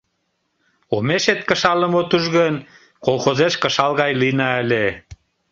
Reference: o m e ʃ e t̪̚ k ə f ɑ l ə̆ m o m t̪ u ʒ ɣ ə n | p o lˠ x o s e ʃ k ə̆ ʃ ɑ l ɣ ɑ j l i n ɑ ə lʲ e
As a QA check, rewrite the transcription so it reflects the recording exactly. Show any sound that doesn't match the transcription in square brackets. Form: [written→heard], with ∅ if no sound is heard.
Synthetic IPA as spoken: o m e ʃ e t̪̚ k ə [f→ʃ] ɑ l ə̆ m o [m→∅] t̪ u ʒ ɣ ə n | [p→k] o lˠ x o [s→z] e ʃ k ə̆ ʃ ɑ l ɣ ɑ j l i n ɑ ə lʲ e